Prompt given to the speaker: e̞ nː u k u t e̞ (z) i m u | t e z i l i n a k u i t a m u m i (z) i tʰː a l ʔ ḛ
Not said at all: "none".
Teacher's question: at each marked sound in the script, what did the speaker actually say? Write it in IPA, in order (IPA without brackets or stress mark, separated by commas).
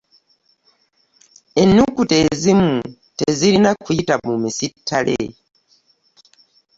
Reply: z, s